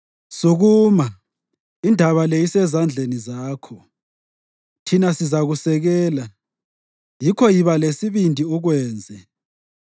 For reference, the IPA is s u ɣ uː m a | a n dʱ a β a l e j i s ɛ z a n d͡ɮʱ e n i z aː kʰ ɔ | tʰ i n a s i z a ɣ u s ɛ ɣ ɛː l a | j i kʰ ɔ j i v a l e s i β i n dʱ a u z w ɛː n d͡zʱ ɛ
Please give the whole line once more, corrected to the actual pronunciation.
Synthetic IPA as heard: s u ɣ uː m a | i n dʱ a β a l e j i s ɛ z a n d͡ɮʱ e n i z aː kʰ ɔ | tʰ i n a s i z a ɣ u s ɛ ɣ ɛː l a | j i kʰ ɔ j i β a l e s i β i n dʱ i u ɣ w ɛː n d͡zʱ ɛ